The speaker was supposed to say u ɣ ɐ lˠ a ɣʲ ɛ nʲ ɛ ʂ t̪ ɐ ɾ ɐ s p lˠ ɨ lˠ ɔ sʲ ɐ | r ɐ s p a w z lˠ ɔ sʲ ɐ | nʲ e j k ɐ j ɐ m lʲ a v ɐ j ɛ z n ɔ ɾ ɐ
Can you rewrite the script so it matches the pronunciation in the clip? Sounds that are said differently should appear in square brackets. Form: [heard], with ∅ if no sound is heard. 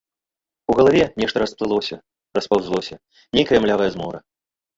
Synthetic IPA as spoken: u ɣ ɐ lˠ a [vʲ] ɛ nʲ ɛ ʂ t̪ ɐ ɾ ɐ s p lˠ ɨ lˠ ɔ sʲ ɐ | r ɐ s p a w z lˠ ɔ sʲ ɐ | nʲ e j k ɐ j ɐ m lʲ a v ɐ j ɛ z [m] ɔ ɾ ɐ